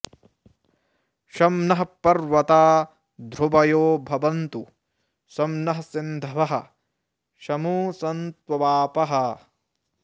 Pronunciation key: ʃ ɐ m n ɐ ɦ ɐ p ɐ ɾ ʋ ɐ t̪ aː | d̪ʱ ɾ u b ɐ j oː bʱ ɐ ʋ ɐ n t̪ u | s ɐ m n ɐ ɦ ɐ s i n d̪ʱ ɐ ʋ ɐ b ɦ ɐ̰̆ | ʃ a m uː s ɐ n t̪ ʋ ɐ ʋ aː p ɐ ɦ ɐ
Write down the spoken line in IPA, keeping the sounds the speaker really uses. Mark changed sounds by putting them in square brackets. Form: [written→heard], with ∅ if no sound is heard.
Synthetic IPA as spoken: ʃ ɐ m n ɐ ɦ ɐ p ɐ ɾ ʋ ɐ t̪ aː | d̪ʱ ɾ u b ɐ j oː bʱ ɐ ʋ ɐ n t̪ u | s ɐ m n ɐ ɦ ɐ s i n d̪ʱ ɐ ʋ ɐ [b→∅] ɦ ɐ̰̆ | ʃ [a→ɐ] m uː s ɐ n t̪ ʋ ɐ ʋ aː p ɐ ɦ ɐ